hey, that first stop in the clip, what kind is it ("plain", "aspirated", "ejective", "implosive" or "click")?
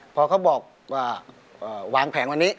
aspirated